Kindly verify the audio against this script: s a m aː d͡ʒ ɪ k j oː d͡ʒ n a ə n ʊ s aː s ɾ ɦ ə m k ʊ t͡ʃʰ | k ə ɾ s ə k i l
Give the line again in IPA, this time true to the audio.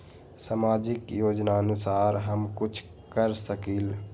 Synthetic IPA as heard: s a m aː d͡ʒ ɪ k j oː d͡ʒ n a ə n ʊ s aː ɾ ɦ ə m k ʊ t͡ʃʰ | k ə ɾ s ə k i l